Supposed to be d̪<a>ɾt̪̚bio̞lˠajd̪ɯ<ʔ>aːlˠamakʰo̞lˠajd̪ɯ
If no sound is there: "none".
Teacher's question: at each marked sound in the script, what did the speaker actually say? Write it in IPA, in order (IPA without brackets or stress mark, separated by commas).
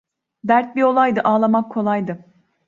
æ, ʔ